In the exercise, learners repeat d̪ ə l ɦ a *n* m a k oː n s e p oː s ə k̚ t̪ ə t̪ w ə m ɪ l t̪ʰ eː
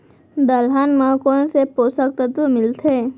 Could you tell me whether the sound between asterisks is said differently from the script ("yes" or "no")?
no